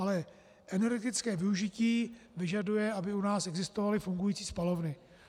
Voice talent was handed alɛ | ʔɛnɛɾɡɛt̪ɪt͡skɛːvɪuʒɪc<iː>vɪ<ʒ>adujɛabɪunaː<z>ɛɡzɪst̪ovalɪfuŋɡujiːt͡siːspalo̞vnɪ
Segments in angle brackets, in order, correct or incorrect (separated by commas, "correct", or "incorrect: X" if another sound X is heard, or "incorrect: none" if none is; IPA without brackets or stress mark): correct, correct, incorrect: s